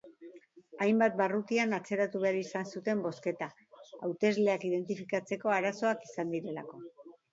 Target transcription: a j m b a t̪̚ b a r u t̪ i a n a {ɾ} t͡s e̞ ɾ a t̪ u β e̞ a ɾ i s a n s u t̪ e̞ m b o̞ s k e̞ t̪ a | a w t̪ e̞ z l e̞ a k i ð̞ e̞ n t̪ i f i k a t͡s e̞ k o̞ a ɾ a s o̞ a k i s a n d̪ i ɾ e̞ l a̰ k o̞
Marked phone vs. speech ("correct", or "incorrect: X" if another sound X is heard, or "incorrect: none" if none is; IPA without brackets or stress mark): incorrect: none